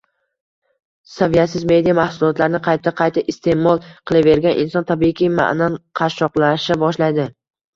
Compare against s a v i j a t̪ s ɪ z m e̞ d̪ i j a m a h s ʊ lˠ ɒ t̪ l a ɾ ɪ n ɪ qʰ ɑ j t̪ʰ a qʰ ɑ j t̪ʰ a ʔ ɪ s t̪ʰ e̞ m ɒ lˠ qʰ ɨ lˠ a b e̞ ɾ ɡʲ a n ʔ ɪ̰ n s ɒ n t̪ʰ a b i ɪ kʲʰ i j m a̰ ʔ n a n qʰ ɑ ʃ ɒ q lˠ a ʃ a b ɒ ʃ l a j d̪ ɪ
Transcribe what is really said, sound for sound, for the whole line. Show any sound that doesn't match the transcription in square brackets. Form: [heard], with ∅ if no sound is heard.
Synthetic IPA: s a v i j a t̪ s ɪ z m e̞ d̪ i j a m a h s ʊ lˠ ɒ t̪ l a ɾ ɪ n ɪ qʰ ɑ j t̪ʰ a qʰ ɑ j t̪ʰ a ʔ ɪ s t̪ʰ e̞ m ɒ lˠ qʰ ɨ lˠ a [v] e̞ ɾ ɡʲ a n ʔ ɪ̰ n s ɒ n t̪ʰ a b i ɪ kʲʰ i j m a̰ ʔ n a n qʰ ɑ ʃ ɒ q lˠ a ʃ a b ɒ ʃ l a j d̪ ɪ